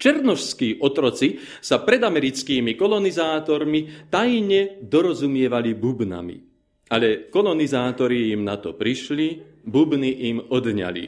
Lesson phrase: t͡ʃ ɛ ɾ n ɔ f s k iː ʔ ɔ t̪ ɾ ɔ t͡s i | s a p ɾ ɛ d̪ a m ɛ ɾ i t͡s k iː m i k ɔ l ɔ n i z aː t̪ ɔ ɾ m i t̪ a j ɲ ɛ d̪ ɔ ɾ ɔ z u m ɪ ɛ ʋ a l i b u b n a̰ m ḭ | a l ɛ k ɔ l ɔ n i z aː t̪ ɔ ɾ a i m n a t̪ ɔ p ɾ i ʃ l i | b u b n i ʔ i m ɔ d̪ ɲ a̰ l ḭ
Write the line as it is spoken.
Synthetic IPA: t͡ʃ ɛ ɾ n ɔ ʃ s k iː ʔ ɔ t̪ ɾ ɔ t͡s i | s a p ɾ ɛ d̪ a m ɛ ɾ i t͡s k iː m i k ɔ l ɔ n i z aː t̪ ɔ ɾ m i t̪ a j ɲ ɛ d̪ ɔ ɾ ɔ z u m ɪ ɛ ʋ a l i b u b n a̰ m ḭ | a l ɛ k ɔ l ɔ n i z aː t̪ ɔ ɾ i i m n a t̪ ɔ p ɾ i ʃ l i | b u b n i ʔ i m ɔ d̪ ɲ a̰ l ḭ